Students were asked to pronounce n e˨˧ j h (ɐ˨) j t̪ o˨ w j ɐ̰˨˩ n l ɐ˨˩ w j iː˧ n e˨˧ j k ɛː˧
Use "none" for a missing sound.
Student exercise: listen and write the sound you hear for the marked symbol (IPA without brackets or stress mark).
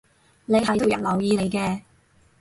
ɐ˨